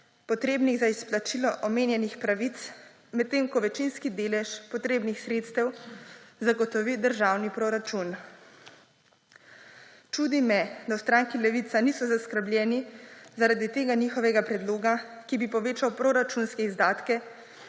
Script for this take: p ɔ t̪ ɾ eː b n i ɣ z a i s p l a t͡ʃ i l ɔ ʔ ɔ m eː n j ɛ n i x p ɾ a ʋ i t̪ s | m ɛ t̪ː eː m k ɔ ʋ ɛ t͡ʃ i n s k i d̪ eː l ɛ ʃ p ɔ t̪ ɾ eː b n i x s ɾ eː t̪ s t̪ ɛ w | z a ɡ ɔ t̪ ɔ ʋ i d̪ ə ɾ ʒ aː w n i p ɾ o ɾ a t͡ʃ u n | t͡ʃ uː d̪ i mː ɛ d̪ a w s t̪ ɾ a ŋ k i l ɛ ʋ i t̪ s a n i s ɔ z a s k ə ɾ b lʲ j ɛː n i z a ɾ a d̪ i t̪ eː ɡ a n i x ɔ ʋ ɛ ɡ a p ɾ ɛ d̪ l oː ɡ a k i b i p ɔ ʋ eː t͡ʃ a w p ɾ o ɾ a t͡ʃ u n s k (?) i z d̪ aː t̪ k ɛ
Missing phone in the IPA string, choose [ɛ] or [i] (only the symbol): ɛ